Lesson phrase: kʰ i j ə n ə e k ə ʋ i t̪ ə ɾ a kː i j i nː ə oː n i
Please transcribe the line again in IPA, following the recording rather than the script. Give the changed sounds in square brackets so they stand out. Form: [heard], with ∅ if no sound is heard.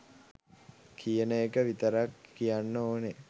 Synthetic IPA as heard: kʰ i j ə n ə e k ə ʋ i t̪ ə ɾ a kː i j [a] nː ə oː n [e]